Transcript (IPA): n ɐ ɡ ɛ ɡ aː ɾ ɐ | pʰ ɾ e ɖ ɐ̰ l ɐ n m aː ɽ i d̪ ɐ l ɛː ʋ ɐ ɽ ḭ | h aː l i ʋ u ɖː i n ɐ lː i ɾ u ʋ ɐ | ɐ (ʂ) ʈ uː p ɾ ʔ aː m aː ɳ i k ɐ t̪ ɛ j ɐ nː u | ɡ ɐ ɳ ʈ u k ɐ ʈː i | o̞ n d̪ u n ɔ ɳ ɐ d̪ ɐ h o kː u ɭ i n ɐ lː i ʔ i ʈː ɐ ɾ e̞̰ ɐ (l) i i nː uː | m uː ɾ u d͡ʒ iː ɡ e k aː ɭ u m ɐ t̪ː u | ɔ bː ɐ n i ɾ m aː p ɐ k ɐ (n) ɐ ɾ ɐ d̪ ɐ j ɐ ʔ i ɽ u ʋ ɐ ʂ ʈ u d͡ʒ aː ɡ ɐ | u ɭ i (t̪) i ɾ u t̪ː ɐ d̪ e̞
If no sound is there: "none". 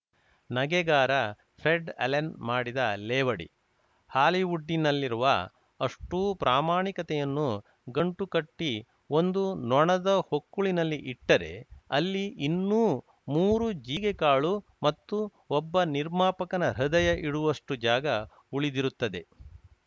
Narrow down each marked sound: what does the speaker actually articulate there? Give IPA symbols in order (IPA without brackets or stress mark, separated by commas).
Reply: ʂ, lː, n, d̪